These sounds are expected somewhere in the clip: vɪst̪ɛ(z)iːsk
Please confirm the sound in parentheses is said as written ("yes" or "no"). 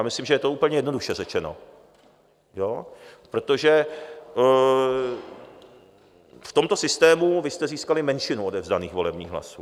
yes